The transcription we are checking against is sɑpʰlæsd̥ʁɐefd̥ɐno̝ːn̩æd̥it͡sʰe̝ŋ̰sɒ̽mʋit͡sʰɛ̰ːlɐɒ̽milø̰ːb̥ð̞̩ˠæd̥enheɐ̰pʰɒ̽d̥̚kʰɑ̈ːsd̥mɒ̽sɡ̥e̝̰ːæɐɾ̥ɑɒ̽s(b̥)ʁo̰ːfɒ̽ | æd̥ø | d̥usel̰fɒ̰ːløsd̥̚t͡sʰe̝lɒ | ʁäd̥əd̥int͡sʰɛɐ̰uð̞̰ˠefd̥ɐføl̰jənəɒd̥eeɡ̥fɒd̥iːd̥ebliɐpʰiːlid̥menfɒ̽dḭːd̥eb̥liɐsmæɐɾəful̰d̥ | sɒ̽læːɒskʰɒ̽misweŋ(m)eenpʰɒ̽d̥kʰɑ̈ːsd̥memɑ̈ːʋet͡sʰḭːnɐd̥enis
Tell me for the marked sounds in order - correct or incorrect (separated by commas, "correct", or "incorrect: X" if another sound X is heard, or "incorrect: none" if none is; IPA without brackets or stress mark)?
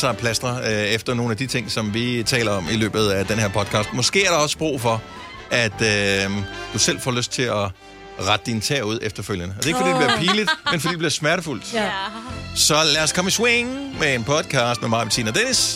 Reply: correct, correct